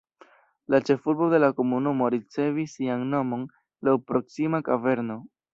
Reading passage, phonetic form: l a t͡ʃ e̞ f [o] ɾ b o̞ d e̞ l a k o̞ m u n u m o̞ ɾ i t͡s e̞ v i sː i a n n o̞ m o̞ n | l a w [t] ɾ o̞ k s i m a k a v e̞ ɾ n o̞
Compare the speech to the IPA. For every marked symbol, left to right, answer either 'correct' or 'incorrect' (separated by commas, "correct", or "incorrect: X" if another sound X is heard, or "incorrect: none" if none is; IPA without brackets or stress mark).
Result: incorrect: u, incorrect: p